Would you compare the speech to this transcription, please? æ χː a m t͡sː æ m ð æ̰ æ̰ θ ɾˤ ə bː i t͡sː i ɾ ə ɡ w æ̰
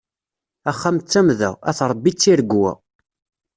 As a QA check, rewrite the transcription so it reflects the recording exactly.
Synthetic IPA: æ χː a m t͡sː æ m ð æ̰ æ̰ θ ɾˤ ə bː i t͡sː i ɾ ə ɡ w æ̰